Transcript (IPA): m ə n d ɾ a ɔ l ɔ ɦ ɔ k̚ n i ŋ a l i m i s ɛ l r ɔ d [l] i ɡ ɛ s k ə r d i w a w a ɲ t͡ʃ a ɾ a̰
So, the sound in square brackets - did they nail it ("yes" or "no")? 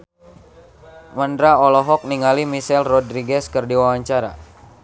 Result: no